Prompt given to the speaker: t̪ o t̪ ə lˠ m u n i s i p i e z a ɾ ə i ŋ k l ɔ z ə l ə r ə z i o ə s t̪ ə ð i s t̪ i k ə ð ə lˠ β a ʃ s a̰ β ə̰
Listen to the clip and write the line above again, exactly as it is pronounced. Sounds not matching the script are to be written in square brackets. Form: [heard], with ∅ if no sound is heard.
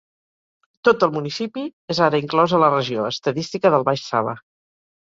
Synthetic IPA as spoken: t̪ o t̪ ə lˠ m u n i s i p i e z a ɾ ə i ŋ k l ɔ z ə l ə r ə [ʒ] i o ə s t̪ ə ð i s t̪ i k ə ð ə lˠ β a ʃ s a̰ β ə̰